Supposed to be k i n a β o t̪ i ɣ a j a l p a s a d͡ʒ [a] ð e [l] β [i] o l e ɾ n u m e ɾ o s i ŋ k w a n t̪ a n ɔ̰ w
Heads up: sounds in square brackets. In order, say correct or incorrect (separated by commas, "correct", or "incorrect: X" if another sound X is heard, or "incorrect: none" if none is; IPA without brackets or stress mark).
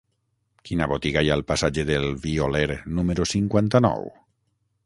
incorrect: e, correct, correct